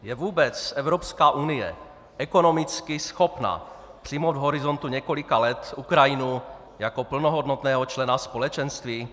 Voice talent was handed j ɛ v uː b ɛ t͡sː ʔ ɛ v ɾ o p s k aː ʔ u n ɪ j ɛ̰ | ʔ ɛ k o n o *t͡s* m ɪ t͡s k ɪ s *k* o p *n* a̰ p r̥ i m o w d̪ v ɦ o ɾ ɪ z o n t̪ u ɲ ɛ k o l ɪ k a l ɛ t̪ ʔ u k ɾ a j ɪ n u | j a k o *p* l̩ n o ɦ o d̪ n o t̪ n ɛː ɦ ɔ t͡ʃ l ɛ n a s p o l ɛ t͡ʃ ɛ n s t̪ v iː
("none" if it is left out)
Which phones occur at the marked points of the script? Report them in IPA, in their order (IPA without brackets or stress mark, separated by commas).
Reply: none, x, n, p